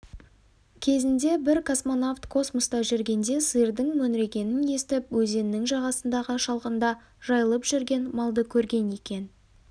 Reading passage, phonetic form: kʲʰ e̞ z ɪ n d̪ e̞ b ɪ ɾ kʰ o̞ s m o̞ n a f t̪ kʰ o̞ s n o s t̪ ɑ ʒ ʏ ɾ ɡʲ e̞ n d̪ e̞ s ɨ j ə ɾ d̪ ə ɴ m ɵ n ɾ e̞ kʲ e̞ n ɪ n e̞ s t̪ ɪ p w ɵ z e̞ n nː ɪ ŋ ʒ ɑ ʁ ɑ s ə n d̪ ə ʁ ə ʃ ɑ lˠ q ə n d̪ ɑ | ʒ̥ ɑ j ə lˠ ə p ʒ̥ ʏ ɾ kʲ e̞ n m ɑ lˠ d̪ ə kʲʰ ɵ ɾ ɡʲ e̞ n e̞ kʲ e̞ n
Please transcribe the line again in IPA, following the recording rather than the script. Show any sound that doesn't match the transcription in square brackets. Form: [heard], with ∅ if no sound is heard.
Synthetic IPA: kʲʰ e̞ z ɪ n d̪ e̞ b ɪ ɾ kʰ o̞ s m o̞ n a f t̪ kʰ o̞ s [m] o s t̪ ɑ ʒ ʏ ɾ ɡʲ e̞ n d̪ e̞ s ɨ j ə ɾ d̪ ə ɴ m ɵ n ɾ e̞ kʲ e̞ n ɪ n e̞ s t̪ ɪ p w ɵ z e̞ n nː ɪ ŋ ʒ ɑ ʁ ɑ s ə n d̪ [ɑ] ʁ ə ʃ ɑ lˠ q ə n d̪ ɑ | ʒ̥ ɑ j ə lˠ ə p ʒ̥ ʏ ɾ [ɡʲ] e̞ n m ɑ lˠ d̪ ə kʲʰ ɵ ɾ ɡʲ e̞ n e̞ kʲ e̞ n